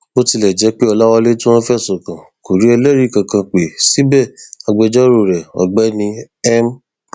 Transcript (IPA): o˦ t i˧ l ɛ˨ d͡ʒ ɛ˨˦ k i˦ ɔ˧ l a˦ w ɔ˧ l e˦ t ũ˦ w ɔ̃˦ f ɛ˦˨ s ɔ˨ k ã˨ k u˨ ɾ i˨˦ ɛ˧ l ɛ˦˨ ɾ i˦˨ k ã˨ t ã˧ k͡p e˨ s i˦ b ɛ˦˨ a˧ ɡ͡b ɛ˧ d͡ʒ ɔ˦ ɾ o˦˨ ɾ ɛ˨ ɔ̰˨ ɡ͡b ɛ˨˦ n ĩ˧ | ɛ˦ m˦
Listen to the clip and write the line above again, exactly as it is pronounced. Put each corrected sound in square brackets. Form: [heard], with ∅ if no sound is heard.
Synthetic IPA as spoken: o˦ t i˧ l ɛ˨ d͡ʒ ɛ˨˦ [k͡p] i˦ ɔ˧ l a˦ w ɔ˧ l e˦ t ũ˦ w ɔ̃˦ f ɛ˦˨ s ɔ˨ k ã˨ k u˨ ɾ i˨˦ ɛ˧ l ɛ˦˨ ɾ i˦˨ k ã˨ [k] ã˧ k͡p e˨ s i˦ b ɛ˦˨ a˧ ɡ͡b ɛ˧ d͡ʒ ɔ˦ ɾ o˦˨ ɾ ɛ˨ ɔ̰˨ ɡ͡b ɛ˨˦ n ĩ˧ | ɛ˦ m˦

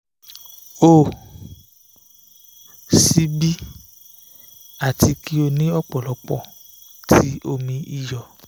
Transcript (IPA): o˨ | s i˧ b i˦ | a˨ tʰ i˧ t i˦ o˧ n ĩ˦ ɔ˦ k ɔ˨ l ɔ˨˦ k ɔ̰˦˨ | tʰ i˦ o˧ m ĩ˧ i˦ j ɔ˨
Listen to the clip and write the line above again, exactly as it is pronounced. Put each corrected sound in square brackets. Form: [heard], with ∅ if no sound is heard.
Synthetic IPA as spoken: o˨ | s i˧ b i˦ | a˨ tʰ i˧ [k] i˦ o˧ n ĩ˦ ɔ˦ [k͡p] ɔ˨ l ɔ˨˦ [k͡p] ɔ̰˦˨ | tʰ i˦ o˧ m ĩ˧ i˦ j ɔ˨

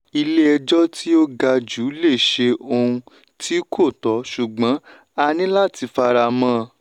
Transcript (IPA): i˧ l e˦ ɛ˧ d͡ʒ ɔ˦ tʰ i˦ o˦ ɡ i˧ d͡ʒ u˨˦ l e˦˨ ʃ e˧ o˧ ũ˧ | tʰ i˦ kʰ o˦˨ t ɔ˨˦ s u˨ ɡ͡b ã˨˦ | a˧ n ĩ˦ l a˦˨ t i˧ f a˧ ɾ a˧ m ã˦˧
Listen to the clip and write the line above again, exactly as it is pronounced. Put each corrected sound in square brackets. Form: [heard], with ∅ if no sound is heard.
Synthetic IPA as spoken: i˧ l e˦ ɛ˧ d͡ʒ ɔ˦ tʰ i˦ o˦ ɡ [a˧] d͡ʒ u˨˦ l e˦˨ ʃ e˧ o˧ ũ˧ | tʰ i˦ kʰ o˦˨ t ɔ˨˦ [ʃ] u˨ ɡ͡b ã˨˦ | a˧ n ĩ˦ l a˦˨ t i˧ f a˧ ɾ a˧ m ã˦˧

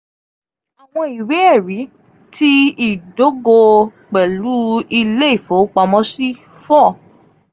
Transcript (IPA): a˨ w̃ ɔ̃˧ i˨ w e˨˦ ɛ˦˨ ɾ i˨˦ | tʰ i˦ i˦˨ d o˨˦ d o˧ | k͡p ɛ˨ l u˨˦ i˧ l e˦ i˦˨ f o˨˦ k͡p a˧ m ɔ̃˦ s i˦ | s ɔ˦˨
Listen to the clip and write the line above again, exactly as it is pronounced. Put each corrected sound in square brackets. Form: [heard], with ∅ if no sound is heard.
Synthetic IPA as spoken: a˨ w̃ ɔ̃˧ i˨ w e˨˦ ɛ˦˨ ɾ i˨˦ | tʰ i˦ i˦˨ d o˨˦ [ɡ] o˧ | k͡p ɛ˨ l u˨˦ i˧ l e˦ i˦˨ f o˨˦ k͡p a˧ m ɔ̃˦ s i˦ | [f] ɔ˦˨

